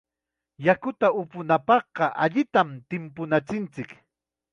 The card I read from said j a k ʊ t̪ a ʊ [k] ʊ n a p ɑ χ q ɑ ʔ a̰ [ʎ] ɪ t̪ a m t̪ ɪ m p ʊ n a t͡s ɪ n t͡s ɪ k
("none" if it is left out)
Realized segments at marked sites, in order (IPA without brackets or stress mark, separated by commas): p, ʎ